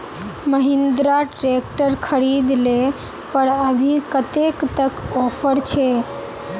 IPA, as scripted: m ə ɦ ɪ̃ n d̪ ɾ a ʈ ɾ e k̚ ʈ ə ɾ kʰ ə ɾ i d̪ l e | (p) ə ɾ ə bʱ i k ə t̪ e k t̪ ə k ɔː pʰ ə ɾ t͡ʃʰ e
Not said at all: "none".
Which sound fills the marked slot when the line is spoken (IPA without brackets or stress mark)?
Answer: p